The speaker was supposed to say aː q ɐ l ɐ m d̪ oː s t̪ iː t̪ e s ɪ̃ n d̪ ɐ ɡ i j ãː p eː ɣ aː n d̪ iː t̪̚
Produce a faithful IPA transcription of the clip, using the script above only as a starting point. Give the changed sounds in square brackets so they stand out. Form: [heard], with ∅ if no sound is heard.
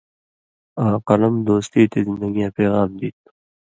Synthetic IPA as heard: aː q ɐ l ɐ m d̪ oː s t̪ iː t̪ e [z] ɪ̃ n d̪ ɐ ɡ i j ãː p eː ɣ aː [m] d̪ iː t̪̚

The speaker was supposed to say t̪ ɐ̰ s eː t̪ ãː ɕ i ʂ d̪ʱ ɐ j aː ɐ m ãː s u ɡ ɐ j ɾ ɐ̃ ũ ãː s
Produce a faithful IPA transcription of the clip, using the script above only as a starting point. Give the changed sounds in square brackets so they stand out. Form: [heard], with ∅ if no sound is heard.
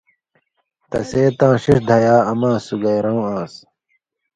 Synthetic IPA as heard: t̪ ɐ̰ s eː t̪ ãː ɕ i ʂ d̪ʱ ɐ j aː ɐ m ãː s u ɡ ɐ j ɾ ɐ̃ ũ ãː s

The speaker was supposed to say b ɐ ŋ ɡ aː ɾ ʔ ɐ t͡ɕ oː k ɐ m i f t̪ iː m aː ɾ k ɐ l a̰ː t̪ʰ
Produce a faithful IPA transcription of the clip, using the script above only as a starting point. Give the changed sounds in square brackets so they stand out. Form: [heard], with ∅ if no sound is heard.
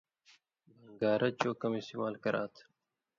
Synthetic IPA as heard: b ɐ ŋ ɡ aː ɾ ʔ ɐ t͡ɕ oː k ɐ m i [s] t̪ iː m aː [l] k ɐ [ɾ] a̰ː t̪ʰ

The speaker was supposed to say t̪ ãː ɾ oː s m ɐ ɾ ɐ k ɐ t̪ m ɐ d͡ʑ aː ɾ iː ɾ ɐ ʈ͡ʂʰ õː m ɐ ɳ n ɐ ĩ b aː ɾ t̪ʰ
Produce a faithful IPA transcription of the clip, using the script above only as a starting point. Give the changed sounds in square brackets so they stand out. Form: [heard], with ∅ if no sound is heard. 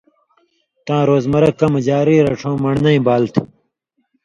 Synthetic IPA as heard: t̪ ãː ɾ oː [z] m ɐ ɾ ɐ k ɐ [∅] m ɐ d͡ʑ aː ɾ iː ɾ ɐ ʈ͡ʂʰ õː m ɐ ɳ n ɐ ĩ b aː [l] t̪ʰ

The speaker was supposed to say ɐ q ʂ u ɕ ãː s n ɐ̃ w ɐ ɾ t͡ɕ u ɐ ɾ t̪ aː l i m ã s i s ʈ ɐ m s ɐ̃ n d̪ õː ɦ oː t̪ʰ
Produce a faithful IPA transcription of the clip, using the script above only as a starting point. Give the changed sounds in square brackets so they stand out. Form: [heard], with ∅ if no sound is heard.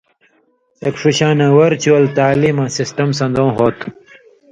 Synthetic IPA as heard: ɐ [k] ʂ u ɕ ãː [∅] n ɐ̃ w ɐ ɾ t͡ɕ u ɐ [l] t̪ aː l i m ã s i s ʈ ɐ m s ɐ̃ n d̪ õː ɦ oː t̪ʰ

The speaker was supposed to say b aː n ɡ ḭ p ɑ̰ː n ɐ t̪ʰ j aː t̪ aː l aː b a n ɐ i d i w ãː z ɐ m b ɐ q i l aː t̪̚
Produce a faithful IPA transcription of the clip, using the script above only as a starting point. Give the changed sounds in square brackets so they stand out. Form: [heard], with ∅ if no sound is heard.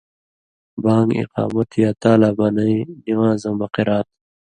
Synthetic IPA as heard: b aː [ŋ] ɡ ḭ [q] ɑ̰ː [m] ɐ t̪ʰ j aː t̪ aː l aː b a n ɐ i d i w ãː z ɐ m b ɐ q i [ɾ] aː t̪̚

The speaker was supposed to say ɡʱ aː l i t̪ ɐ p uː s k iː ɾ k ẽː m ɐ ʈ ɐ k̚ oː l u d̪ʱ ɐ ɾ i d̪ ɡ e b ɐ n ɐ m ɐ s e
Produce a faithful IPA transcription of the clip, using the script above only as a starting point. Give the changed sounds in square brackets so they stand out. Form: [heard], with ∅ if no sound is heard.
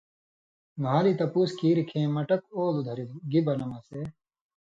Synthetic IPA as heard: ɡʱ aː l i t̪ ɐ p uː s k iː ɾ [kʰ] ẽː m ɐ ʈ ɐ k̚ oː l u d̪ʱ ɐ ɾ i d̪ ɡ [i] b ɐ n ɐ m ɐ s e

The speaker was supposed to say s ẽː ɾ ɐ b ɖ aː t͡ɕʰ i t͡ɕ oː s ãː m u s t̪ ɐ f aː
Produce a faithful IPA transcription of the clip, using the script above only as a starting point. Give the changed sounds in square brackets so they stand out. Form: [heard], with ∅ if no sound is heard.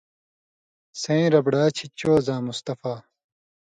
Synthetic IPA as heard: s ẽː ɾ ɐ b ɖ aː t͡ɕʰ i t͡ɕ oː [z] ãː m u s t̪ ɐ f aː

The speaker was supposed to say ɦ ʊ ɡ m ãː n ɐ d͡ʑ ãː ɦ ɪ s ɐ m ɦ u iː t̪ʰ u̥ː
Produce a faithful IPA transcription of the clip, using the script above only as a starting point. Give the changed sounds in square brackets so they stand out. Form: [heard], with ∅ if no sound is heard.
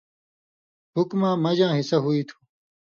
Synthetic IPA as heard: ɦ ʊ [k] m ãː [m] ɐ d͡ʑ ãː ɦ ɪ s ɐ [∅] ɦ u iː t̪ʰ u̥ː

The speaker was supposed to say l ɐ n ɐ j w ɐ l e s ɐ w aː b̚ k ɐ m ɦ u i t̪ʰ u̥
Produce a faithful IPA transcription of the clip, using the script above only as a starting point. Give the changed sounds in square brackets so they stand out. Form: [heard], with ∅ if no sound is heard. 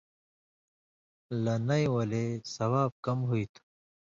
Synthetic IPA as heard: l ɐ n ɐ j w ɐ l e s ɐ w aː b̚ k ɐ m ɦ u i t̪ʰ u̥

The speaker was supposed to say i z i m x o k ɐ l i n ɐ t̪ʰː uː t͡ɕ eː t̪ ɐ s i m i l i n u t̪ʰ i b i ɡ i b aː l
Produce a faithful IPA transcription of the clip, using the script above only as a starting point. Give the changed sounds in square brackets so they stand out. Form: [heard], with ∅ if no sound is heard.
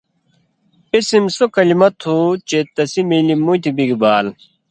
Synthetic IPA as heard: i [s] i m [s] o k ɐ l i [m] ɐ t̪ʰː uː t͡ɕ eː t̪ ɐ s i m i l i [m] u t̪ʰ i b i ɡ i b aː l

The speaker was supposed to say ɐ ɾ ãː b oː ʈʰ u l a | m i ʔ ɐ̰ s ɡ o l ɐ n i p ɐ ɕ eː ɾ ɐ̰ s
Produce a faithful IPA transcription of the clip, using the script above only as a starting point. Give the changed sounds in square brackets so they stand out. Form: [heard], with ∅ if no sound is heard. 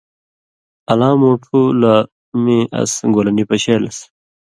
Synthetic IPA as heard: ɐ [l] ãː [m] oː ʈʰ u l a | m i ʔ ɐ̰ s ɡ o l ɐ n i p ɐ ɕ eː [l] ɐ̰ s

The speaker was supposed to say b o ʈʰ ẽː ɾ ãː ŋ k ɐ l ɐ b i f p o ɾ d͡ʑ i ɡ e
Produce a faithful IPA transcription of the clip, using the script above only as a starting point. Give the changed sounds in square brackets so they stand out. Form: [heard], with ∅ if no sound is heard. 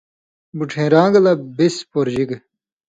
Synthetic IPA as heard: b [u] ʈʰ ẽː ɾ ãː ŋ [ɡ] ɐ l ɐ b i [s] p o ɾ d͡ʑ i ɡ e

